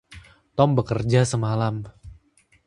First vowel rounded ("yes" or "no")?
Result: yes